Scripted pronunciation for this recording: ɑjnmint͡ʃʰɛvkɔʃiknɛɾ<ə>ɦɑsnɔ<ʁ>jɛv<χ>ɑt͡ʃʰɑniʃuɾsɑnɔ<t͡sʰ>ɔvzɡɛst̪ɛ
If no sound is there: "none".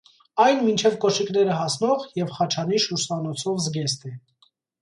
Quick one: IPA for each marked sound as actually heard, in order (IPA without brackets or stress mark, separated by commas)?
ə, ʁ, χ, t͡sʰ